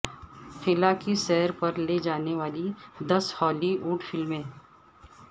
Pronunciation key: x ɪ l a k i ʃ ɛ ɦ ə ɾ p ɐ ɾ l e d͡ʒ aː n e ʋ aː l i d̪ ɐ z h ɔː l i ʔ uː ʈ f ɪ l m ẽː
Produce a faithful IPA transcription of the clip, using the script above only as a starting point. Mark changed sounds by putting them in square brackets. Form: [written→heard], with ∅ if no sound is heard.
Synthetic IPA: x ɪ l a k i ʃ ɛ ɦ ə ɾ p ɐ ɾ l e d͡ʒ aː n e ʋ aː l i d̪ ɐ [z→s] h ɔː l i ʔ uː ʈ f ɪ l m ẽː